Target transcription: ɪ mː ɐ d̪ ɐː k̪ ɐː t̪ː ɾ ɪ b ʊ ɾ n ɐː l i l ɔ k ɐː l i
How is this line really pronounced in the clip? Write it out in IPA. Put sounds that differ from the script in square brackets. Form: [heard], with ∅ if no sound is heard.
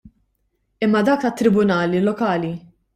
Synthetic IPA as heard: ɪ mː ɐ d̪ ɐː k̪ [ɐ] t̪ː ɾ ɪ b ʊ [∅] n ɐː l i l ɔ k ɐː l i